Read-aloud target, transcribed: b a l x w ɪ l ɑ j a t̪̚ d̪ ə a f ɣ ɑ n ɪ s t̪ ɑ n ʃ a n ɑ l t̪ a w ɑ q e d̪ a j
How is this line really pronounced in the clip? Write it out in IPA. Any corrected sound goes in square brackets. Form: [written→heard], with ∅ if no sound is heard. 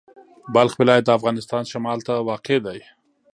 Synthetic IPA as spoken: b a l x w ɪ l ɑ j a t̪̚ d̪ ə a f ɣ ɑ n ɪ s t̪ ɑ n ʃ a [n→m] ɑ l t̪ a w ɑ q e d̪ a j